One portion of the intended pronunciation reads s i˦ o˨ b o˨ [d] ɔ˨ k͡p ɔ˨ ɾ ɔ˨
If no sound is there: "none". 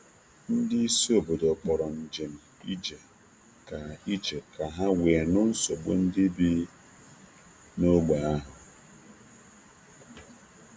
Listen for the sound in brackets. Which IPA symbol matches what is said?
d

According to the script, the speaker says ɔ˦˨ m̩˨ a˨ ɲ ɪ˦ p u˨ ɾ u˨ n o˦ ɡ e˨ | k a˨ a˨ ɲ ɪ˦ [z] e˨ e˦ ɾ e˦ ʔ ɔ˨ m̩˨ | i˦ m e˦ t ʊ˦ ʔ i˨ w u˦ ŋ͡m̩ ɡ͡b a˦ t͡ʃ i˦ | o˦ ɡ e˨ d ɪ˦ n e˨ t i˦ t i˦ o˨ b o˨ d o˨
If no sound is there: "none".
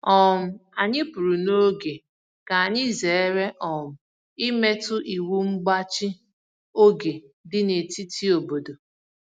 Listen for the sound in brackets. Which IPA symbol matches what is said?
z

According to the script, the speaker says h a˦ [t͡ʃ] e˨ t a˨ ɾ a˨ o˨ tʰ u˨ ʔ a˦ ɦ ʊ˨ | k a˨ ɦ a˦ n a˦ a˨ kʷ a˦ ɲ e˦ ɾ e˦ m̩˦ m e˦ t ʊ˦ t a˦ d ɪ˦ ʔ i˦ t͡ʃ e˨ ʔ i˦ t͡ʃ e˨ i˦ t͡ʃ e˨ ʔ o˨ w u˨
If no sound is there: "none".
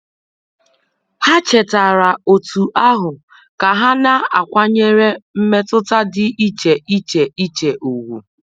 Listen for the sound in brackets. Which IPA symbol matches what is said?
t͡ʃ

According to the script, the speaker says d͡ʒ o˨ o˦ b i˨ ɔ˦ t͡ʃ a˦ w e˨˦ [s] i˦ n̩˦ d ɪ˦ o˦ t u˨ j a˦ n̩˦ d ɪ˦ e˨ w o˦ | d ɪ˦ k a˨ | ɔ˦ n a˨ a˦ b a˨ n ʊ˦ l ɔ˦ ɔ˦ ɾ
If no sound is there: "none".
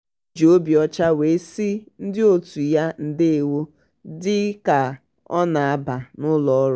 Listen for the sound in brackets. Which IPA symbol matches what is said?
s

